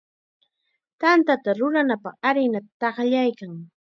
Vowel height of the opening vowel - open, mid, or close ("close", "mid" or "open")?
open